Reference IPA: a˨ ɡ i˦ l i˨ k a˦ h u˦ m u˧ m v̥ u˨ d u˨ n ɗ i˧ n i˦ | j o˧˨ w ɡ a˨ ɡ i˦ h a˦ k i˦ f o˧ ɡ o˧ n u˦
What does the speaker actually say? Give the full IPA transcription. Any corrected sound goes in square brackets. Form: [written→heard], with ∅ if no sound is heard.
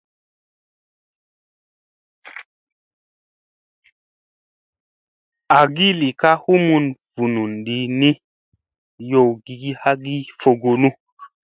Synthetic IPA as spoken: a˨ ɡ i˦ l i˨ k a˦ h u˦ m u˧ [m→n] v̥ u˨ [d→n] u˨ n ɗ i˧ n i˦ | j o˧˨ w ɡ [a˨→i˨] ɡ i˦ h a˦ [k→ɡ] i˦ f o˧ ɡ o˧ n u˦